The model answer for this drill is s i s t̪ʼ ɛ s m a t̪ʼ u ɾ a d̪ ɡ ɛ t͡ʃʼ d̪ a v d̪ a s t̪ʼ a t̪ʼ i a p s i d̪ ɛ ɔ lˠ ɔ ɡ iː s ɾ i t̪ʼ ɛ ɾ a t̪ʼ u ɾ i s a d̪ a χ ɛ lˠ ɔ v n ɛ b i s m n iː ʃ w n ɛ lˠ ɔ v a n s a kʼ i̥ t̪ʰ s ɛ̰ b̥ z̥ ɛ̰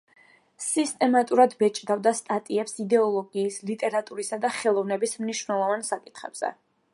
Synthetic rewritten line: s i s t̪ʼ ɛ m a t̪ʼ u ɾ a d̪ b ɛ t͡ʃʼ d̪ a v d̪ a s t̪ʼ a t̪ʼ i ɛ p s i d̪ ɛ ɔ lˠ ɔ ɡ iː s l i t̪ʼ ɛ ɾ a t̪ʼ u ɾ i s a d̪ a χ ɛ lˠ ɔ v n ɛ b i s m n i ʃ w n ɛ lˠ ɔ v a n s a kʼ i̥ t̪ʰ χ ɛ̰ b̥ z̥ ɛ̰